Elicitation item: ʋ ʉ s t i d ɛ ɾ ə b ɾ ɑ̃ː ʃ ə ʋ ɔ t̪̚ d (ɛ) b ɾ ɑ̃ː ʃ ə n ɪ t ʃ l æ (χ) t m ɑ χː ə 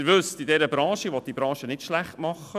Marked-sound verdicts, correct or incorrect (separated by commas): incorrect, correct